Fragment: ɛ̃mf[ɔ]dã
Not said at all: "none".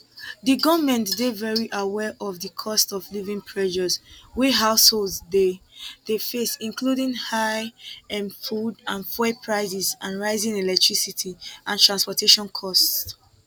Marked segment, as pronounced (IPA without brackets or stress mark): u